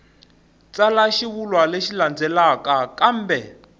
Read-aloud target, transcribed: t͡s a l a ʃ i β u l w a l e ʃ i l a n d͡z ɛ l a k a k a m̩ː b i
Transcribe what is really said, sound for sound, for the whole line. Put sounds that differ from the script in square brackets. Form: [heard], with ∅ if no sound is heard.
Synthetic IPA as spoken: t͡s a l a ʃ i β u l w a l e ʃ i l a n d͡z ɛ l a k a k a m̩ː b [ɛ]